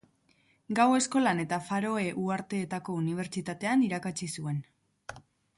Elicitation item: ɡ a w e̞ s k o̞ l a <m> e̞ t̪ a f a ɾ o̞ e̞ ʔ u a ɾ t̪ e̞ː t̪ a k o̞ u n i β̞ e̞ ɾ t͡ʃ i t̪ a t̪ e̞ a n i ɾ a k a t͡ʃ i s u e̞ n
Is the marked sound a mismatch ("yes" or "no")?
yes